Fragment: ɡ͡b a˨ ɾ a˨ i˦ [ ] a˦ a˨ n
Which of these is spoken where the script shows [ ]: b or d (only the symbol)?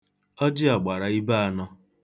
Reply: b